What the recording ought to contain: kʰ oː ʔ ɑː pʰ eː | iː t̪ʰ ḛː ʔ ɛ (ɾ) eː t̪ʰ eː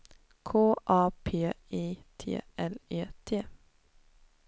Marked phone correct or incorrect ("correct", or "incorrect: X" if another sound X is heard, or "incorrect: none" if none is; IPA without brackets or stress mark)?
incorrect: l